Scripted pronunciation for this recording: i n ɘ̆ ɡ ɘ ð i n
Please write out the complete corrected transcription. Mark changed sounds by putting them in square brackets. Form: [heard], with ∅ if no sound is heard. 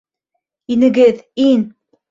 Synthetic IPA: i n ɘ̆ ɡ ɘ ð i n